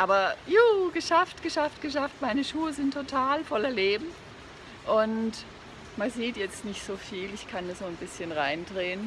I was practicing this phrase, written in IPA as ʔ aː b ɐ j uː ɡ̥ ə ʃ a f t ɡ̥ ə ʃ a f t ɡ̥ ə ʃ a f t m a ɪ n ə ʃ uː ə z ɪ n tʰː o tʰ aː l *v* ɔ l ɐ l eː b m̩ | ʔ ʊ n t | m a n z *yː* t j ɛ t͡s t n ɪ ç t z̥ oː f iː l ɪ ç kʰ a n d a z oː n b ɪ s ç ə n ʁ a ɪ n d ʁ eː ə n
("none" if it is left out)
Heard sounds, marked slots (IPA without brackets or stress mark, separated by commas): f, iː